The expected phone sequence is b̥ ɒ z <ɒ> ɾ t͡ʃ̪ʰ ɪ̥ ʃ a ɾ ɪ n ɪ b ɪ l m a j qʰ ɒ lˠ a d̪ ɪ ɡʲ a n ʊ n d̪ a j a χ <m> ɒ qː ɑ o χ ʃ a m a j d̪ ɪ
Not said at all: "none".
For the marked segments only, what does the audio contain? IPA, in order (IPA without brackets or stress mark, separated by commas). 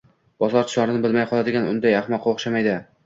ɒ, m